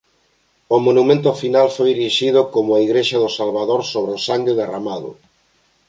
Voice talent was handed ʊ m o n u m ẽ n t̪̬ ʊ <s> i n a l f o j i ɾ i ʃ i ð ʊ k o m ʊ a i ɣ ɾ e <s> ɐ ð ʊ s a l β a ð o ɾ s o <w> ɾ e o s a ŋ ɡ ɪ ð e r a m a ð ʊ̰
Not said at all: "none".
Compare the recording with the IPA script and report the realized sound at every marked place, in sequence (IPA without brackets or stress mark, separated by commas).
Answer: f, ʃ, β